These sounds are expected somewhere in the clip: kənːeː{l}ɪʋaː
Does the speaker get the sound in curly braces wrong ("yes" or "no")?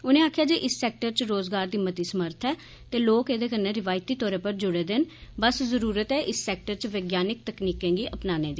yes